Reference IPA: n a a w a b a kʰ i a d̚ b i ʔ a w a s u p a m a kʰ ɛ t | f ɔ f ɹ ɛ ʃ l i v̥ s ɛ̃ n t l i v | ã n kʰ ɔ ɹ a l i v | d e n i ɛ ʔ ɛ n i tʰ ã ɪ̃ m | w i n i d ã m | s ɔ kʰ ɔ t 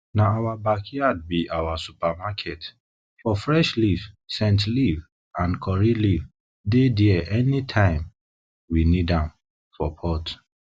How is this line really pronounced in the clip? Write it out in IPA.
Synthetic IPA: n a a w a b a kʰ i a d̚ b i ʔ a w a s u p a m a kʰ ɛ t | f ɔ f ɹ ɛ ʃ l i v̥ s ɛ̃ n t l i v | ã n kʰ ɔ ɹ i l i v | d e d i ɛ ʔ ɛ n i tʰ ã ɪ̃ m | w i n i d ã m | f ɔ pʰ ɔ t

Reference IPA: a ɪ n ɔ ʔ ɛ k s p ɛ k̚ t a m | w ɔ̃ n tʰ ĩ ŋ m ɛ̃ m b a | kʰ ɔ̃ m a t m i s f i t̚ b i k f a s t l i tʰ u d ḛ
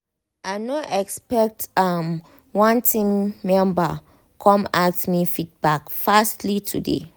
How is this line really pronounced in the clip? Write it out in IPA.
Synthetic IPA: a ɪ n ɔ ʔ ɛ k s p ɛ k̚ t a m | w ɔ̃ n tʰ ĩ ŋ m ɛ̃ m b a | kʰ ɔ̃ m a t m i f i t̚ b a k f a s t l i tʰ u d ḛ

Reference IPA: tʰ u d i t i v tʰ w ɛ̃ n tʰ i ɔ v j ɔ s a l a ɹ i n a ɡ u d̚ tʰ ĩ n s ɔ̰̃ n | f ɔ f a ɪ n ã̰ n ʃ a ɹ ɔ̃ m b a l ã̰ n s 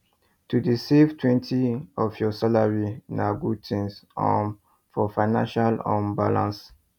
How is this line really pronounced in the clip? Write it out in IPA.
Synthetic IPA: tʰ u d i s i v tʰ w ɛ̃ n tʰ i ɔ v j ɔ s a l a ɹ i n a ɡ u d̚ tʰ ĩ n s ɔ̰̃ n | f ɔ f a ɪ n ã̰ n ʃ a l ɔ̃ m b a l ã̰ n s

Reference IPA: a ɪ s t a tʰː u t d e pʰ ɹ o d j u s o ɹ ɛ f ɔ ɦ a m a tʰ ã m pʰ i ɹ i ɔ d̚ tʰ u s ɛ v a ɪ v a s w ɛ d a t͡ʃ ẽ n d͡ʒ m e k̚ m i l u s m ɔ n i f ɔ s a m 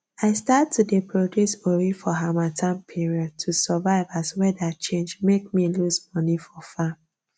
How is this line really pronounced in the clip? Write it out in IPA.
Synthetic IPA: a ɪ s t a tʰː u d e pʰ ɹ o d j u s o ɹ i f ɔ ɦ a m a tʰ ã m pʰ i ɹ i ɔ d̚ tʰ u s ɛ v a ɪ v a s w ɛ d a t͡ʃ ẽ n d͡ʒ m e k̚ m i l u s m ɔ n i f ɔ f a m

